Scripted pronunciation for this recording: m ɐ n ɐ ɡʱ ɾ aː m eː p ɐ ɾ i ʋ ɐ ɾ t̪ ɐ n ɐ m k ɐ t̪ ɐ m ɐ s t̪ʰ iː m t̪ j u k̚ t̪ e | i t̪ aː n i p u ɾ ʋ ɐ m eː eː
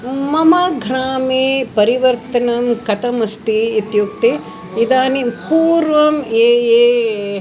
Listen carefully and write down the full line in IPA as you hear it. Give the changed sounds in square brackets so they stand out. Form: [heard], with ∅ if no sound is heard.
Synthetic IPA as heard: m ɐ [m] ɐ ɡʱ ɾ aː m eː p ɐ ɾ i ʋ ɐ ɾ t̪ ɐ n ɐ m k ɐ t̪ ɐ m ɐ s [t̪] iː [∅] t̪ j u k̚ t̪ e | i [d̪] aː n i p [uː] ɾ ʋ ɐ m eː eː